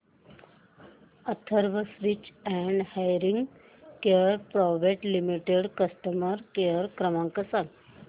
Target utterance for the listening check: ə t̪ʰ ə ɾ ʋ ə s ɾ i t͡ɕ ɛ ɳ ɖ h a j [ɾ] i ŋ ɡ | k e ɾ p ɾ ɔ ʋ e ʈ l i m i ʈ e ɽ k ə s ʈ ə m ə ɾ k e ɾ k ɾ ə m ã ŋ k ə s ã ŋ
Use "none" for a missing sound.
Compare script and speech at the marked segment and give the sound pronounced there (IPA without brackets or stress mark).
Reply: ɾ